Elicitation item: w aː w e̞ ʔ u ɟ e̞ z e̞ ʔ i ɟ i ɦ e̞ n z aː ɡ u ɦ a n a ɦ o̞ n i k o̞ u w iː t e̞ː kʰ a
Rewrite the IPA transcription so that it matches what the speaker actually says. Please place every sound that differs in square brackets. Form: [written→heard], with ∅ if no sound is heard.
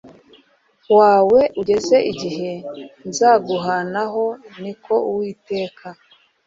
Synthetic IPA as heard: w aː w e̞ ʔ u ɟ e̞ z e̞ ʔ i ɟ i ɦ e̞ n z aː ɡ u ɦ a n a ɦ o̞ n i k o̞ u w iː t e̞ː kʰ a